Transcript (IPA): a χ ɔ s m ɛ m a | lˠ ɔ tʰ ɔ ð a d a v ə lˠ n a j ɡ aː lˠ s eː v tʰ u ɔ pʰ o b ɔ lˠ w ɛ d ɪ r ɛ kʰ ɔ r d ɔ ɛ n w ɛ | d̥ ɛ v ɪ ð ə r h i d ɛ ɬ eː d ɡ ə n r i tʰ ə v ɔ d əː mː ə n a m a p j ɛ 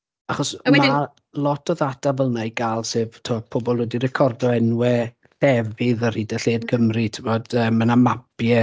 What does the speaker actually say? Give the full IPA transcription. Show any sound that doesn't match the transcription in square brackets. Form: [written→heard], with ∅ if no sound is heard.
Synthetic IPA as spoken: a χ ɔ s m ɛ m a | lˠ ɔ tʰ ɔ ð a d a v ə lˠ n a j ɡ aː lˠ s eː v tʰ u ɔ pʰ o b ɔ lˠ w ɛ d [ɪ→i] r ɛ kʰ ɔ r d ɔ ɛ n w ɛ | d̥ ɛ v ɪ ð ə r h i d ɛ ɬ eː d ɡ ə [n→m] r i tʰ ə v ɔ d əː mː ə n a m a p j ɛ